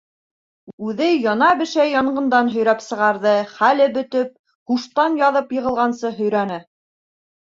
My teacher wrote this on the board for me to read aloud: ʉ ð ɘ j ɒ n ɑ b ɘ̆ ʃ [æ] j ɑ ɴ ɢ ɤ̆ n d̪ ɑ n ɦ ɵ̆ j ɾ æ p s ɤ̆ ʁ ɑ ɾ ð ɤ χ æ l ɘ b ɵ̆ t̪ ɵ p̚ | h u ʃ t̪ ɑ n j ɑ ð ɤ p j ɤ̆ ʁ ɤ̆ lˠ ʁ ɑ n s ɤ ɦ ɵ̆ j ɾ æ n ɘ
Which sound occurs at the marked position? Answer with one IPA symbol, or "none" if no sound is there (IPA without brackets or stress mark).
æ